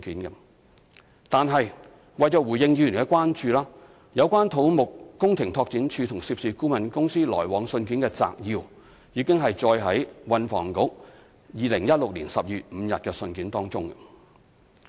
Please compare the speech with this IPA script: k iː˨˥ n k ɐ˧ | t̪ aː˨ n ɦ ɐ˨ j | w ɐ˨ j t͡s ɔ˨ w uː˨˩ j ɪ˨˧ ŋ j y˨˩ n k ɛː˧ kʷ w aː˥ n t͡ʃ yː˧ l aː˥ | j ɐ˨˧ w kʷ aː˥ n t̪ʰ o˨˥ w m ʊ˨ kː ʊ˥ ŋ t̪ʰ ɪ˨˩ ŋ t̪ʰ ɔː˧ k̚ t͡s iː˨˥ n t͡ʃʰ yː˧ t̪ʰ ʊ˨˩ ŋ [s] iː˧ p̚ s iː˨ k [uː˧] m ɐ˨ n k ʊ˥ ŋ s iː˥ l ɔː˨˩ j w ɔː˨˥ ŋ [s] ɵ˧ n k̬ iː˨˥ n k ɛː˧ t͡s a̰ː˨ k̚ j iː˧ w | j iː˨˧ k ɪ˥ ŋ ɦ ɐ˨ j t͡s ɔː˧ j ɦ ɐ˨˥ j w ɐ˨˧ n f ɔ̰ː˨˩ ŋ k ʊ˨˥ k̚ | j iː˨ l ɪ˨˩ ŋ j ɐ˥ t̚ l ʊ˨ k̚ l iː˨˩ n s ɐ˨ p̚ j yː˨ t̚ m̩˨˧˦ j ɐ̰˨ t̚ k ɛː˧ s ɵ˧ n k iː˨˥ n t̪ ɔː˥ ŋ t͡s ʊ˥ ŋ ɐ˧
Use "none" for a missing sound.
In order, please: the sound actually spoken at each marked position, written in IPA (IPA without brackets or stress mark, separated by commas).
s, uː˥, s